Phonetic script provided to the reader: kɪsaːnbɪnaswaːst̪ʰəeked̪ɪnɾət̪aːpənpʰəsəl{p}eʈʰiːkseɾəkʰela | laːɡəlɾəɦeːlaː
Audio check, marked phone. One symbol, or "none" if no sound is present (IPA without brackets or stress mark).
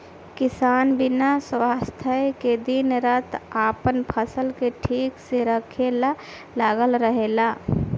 k